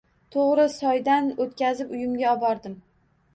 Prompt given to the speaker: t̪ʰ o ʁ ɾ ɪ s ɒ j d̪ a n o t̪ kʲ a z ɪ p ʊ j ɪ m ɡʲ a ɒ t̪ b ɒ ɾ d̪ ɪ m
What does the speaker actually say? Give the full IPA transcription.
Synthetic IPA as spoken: t̪ʰ o ʁ ɾ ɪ s ɒ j d̪ a n o t̪ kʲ a z ɪ p ʊ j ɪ m ɡʲ a ɒ b ɒ ɾ d̪ ɪ m